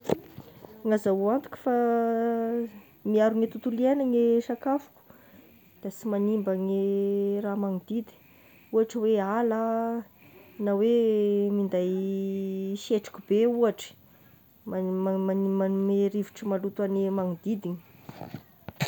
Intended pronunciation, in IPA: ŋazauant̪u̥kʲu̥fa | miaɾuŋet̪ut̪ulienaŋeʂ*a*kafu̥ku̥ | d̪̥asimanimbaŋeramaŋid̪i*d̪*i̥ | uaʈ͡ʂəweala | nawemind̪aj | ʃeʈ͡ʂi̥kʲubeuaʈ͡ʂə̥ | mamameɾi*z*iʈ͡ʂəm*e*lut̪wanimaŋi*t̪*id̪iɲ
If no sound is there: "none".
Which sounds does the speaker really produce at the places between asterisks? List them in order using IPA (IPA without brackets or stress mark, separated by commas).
a, d̪, v, a, d̪